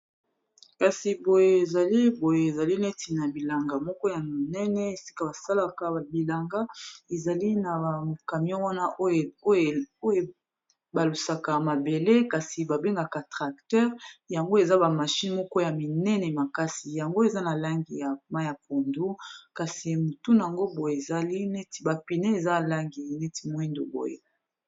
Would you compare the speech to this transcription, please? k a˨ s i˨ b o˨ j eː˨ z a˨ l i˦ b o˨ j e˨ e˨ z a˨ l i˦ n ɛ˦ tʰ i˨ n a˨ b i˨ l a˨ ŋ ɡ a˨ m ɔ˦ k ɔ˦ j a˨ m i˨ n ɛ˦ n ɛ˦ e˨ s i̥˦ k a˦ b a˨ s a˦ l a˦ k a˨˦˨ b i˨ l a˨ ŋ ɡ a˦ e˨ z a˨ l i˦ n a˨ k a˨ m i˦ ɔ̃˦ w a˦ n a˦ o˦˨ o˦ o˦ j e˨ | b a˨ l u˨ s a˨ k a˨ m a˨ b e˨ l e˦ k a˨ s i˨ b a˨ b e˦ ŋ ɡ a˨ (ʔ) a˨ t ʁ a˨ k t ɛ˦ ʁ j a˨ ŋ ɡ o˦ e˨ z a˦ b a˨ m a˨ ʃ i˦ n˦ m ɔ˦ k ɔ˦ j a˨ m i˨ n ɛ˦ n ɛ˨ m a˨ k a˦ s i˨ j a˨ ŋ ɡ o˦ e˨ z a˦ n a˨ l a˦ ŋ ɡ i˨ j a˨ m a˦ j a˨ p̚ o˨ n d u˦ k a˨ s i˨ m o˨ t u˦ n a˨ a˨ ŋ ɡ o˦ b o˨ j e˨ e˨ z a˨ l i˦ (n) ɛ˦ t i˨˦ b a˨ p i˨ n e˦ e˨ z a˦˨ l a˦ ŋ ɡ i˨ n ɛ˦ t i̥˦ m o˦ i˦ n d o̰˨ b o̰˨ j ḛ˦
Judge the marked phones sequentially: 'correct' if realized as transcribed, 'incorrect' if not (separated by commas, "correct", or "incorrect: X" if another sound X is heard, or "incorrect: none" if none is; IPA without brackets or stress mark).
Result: incorrect: k, correct